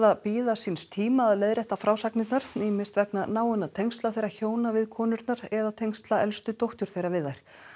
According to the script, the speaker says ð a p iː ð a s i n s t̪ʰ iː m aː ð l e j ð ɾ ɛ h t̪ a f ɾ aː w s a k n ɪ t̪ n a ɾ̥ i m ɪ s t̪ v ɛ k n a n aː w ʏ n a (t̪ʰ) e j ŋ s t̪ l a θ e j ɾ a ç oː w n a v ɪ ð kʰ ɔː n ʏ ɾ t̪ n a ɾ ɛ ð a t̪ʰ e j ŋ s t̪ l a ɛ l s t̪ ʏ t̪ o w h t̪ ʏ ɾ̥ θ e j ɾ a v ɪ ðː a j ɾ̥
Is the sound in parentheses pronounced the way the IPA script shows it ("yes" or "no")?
yes